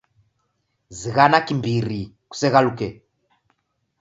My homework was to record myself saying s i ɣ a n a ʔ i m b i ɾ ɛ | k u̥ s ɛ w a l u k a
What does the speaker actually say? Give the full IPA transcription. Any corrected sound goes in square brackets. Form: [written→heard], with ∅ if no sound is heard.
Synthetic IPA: [s→z] i ɣ a n a [ʔ→k] i m b i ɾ [ɛ→i] | k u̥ s ɛ [w→ɣ] a l u k [a→ɛ]